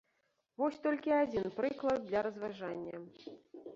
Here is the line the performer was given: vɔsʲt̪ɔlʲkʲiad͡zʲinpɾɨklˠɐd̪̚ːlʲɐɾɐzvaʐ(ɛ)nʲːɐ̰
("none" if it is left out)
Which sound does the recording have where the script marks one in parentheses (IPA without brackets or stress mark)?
a